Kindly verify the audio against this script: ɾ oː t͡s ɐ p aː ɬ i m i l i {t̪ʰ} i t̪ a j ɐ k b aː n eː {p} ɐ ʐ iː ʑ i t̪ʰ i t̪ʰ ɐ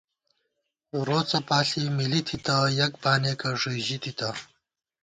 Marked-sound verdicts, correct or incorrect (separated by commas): correct, incorrect